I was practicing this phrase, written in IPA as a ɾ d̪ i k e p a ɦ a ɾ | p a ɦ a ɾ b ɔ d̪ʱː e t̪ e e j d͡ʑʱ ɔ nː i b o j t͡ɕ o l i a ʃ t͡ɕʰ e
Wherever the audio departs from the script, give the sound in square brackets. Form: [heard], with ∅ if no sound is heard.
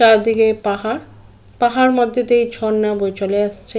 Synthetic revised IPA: a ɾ d̪ i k e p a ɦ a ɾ | p a ɦ a ɾ [m] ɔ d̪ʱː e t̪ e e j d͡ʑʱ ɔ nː [a] b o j t͡ɕ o l [e] a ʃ t͡ɕʰ e